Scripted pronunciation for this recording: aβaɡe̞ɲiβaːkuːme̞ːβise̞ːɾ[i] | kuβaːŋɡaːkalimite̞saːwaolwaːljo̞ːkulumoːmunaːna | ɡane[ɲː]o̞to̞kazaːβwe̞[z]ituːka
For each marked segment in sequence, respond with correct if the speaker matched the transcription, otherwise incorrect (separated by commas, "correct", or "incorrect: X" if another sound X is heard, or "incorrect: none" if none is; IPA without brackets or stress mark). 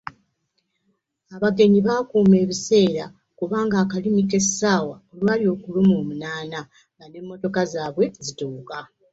incorrect: a, incorrect: mː, correct